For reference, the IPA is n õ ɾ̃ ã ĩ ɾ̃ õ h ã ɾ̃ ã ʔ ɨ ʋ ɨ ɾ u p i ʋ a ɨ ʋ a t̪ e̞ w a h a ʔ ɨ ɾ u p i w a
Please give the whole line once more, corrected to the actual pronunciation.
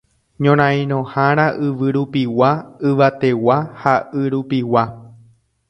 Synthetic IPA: ɲ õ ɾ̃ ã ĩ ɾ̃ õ h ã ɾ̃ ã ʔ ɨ ʋ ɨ ɾ u p i w a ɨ ʋ a t̪ e̞ w a h a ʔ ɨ ɾ u p i w a